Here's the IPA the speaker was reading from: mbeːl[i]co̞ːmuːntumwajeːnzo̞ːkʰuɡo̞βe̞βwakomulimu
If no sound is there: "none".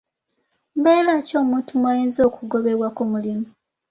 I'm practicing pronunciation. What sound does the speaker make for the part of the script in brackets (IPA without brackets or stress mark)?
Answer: a